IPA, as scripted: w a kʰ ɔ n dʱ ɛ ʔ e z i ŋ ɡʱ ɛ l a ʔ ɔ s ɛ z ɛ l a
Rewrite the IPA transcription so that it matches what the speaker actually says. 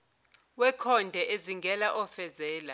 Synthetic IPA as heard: w ɛ kʰ ɔ n dʱ ɛ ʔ e z i ŋ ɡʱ ɛ l a ʔ ɔ f ɛ z ɛː l a